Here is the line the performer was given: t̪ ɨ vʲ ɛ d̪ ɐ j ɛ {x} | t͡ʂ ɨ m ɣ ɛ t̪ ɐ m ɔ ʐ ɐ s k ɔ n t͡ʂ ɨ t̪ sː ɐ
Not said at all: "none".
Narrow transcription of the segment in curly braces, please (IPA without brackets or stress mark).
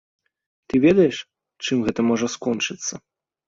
ʂ